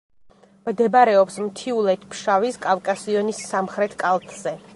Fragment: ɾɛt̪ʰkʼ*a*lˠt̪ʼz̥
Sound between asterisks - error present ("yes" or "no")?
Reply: no